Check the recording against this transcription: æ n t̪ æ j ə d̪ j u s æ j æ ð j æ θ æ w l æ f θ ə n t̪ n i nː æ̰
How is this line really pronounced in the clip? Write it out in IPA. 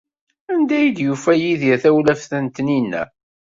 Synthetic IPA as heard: æ n d̪ æ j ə d̪ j u f æ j i ð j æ θ æ w l æ f θ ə n t̪ n i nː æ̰